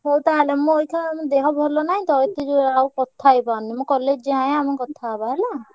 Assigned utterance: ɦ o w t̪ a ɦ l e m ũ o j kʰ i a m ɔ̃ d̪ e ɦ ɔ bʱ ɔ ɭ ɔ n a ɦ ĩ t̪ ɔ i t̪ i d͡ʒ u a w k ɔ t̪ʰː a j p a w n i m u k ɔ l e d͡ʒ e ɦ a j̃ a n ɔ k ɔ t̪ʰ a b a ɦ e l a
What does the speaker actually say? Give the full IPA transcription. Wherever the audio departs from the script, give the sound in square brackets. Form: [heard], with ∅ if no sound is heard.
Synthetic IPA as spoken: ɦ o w t̪ a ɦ l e m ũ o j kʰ [a] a m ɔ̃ d̪ e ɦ ɔ bʱ ɔ [l] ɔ n a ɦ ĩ t̪ ɔ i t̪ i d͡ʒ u a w k ɔ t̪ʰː a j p a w n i m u k ɔ l e d͡ʒ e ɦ a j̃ a [m] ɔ k ɔ t̪ʰ a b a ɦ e l a